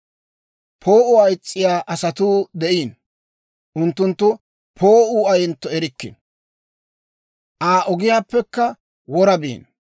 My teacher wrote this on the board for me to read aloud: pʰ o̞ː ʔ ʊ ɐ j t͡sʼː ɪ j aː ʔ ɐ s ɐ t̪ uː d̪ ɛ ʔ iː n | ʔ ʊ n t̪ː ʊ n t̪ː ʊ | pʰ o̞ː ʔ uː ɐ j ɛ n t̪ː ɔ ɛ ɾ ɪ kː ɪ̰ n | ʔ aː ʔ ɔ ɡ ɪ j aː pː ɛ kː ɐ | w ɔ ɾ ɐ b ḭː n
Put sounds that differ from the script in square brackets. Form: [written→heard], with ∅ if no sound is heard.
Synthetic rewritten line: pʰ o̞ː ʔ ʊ ɐ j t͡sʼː ɪ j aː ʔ ɐ s ɐ t̪ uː d̪ ɛ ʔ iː n | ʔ ʊ n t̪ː ʊ n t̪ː ʊ | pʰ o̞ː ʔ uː ɐ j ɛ n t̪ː ɔ ɛ ɾ ɪ kː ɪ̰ n | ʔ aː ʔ ɔ ɡ ɪ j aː pː ɛ kː ɐ | w ɔ ɾ ɐ b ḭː n

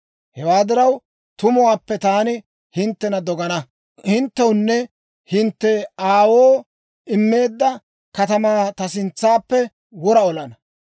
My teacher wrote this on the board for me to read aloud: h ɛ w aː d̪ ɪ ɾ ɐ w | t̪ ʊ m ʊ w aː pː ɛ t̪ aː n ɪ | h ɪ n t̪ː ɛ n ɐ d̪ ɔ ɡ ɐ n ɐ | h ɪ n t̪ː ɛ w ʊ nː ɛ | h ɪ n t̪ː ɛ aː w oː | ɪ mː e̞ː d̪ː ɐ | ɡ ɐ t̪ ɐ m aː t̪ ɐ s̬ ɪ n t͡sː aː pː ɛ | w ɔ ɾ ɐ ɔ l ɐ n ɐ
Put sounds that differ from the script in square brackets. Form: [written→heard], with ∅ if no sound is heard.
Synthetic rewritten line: h ɛ w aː d̪ ɪ ɾ ɐ w | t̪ ʊ m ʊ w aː pː ɛ t̪ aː n ɪ | h ɪ n t̪ː ɛ n ɐ d̪ ɔ ɡ ɐ n ɐ | h ɪ n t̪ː ɛ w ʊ nː ɛ | h ɪ n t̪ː ɛ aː w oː | ɪ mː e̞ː d̪ː ɐ | [ɡ→k] ɐ t̪ ɐ m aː t̪ ɐ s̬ ɪ n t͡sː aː pː ɛ | w ɔ ɾ ɐ ɔ l ɐ n ɐ

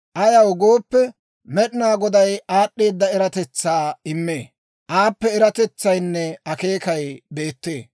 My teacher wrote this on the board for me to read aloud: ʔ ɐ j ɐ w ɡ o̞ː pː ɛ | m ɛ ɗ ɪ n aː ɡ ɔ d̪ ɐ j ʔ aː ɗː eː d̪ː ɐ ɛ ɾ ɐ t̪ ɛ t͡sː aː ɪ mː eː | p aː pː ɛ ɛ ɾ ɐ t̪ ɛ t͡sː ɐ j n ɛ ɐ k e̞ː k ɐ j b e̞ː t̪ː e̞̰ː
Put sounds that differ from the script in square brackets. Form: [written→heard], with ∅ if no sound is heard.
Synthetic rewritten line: ʔ ɐ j ɐ w ɡ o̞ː pː ɛ | m ɛ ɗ ɪ n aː ɡ ɔ d̪ ɐ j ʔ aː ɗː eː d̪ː ɐ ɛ ɾ ɐ t̪ ɛ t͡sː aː ɪ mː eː | [p→ʔ] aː pː ɛ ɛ ɾ ɐ t̪ ɛ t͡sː ɐ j [n→nː] ɛ ɐ k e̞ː k ɐ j b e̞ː t̪ː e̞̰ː

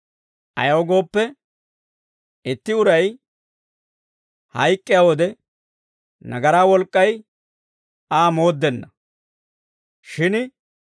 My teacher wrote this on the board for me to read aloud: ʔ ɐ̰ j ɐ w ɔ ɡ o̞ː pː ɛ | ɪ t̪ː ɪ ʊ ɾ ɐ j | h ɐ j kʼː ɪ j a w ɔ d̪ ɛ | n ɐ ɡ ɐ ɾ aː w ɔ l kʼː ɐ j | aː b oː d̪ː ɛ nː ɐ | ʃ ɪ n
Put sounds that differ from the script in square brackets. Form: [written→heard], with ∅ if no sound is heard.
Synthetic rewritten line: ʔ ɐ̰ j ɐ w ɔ ɡ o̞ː pː ɛ | ɪ t̪ː ɪ ʊ ɾ ɐ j | h ɐ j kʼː ɪ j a w ɔ d̪ ɛ | n ɐ ɡ ɐ ɾ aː w ɔ l kʼː ɐ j | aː [b→m] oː d̪ː ɛ nː ɐ | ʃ ɪ n

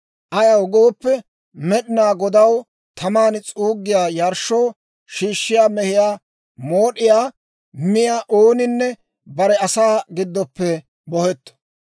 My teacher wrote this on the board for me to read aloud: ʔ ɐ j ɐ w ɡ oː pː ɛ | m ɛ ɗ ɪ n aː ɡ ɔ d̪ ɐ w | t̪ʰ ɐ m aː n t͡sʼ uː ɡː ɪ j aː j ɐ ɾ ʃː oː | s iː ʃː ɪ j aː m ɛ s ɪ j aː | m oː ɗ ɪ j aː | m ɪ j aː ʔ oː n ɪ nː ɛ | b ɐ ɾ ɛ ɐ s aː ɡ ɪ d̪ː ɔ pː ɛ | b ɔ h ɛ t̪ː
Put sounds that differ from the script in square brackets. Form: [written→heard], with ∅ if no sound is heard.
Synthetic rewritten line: ʔ ɐ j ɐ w ɡ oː pː ɛ | m ɛ ɗ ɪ n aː ɡ ɔ d̪ ɐ w | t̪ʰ ɐ m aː n t͡sʼ uː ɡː ɪ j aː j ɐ ɾ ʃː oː | [s→ʃ] iː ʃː ɪ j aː m ɛ [s→h] ɪ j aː | m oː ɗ ɪ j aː | m ɪ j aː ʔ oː n ɪ nː ɛ | b ɐ ɾ ɛ ɐ s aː ɡ ɪ d̪ː ɔ pː ɛ | b ɔ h ɛ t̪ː

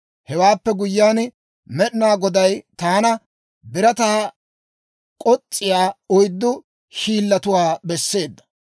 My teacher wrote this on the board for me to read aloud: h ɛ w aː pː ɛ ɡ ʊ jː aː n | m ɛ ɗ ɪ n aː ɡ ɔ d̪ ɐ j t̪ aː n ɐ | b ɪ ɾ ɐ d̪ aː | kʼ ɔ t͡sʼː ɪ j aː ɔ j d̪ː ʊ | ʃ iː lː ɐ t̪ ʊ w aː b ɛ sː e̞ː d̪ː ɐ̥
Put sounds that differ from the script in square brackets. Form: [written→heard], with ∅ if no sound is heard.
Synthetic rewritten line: h ɛ w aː pː ɛ ɡ ʊ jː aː n | m ɛ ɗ ɪ n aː ɡ ɔ d̪ ɐ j t̪ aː n ɐ | b ɪ ɾ ɐ [d̪→t̪] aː | kʼ ɔ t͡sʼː ɪ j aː ɔ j d̪ː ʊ | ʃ iː lː ɐ t̪ ʊ w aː b ɛ sː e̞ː d̪ː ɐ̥

